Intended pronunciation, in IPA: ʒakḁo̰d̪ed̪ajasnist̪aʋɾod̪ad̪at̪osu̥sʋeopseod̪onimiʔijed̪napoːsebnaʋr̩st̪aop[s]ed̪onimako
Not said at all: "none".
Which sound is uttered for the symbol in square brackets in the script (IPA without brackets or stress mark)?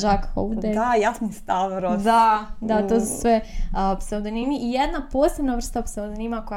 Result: s